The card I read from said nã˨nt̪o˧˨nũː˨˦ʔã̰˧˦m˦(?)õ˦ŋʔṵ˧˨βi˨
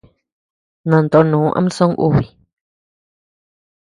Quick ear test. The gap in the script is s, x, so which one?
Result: s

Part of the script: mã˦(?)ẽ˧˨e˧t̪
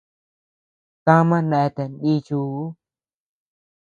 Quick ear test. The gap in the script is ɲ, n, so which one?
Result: n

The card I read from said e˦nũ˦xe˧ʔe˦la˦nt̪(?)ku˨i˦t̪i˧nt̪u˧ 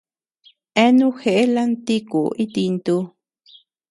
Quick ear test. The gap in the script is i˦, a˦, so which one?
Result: i˦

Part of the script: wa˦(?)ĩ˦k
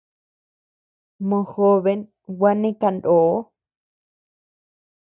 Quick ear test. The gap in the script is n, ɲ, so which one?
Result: n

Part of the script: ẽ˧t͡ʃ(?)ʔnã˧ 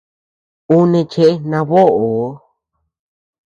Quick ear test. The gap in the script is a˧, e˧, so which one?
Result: e˧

